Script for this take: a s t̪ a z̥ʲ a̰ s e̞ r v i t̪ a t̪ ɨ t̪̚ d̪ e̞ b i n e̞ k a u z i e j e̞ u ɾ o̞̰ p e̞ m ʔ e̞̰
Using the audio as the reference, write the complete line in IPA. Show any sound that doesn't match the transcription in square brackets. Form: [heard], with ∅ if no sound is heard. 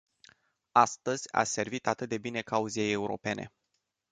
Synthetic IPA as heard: a s t̪ [ə] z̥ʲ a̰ s e̞ r v i t̪ a t̪ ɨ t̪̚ d̪ e̞ b i n e̞ k a u z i e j e̞ u ɾ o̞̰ p e̞ [n] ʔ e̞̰